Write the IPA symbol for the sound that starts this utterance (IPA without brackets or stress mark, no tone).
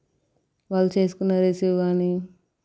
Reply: ʋ